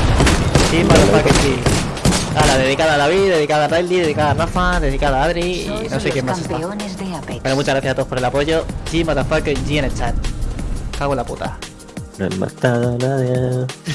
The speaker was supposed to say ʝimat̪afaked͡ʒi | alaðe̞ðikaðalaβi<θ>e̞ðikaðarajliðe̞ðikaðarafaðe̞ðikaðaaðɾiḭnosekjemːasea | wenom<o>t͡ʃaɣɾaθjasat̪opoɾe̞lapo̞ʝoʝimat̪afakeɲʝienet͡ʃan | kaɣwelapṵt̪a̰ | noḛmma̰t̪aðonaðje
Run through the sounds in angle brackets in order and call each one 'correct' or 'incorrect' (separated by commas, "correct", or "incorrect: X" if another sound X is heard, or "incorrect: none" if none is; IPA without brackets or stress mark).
incorrect: ð, incorrect: u